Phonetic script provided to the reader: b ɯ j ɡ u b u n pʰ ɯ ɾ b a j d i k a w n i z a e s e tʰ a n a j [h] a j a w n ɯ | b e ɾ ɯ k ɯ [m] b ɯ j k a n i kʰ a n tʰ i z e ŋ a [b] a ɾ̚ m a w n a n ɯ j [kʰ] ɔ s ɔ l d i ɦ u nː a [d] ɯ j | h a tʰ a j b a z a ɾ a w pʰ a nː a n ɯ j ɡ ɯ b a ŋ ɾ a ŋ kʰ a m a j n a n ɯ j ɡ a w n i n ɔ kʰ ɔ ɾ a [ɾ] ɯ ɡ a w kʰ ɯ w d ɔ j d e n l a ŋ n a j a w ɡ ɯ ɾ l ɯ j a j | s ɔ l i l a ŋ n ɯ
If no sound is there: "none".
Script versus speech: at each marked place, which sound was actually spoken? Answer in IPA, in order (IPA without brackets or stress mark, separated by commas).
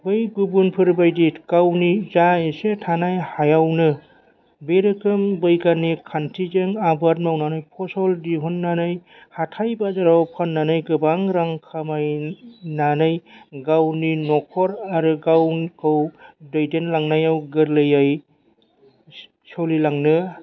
h, m, b, pʰ, n, ɾ